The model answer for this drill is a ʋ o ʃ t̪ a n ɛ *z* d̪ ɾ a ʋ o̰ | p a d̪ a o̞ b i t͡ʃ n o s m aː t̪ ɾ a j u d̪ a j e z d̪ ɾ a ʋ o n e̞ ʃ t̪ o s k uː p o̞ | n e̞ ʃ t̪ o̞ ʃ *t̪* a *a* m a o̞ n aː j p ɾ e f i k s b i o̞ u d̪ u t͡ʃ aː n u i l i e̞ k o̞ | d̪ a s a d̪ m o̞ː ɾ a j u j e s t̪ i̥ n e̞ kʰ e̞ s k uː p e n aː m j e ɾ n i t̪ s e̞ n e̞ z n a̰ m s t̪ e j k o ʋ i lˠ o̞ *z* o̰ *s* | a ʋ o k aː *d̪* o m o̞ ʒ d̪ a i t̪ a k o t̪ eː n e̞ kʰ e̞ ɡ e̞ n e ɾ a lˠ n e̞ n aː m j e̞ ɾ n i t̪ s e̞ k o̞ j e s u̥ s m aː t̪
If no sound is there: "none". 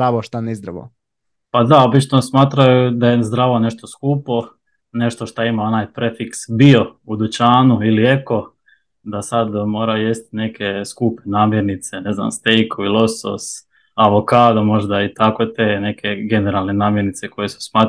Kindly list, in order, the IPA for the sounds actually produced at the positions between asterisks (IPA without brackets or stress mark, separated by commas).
z, t̪, i, s, s, d̪